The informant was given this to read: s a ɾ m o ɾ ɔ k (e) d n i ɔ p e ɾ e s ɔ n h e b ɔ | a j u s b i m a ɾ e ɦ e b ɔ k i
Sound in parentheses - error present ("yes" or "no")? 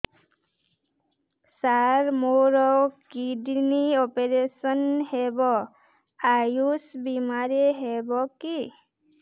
yes